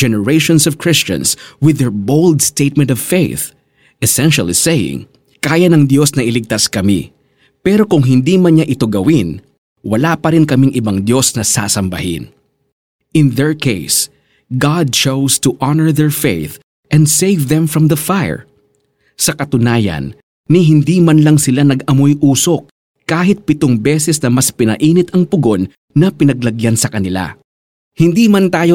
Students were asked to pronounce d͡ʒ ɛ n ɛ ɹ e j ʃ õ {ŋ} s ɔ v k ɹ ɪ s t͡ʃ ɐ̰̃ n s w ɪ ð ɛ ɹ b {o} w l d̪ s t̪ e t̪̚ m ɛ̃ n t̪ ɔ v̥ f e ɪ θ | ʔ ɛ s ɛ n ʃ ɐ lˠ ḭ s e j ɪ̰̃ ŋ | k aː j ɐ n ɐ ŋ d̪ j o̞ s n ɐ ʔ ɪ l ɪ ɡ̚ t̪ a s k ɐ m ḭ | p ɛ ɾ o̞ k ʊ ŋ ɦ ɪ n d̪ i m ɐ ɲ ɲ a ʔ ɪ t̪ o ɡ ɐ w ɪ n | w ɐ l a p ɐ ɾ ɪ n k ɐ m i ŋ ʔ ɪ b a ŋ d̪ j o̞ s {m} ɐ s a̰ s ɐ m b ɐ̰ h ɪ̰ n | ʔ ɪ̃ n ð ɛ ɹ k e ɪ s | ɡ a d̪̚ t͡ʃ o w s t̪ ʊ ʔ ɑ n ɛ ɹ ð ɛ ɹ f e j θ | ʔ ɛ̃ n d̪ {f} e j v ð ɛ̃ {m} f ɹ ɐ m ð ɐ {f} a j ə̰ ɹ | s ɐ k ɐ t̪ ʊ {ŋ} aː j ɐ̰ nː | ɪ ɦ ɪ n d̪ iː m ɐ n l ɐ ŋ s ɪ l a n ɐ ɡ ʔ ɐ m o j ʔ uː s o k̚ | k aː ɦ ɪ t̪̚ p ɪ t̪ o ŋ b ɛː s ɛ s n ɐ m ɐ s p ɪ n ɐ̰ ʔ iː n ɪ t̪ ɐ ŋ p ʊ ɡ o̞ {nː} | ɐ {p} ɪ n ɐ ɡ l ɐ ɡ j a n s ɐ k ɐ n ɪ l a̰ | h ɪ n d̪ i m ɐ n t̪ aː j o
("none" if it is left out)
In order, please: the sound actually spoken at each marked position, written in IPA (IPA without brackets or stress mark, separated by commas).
n, o, n, s, m, f, n, nː, p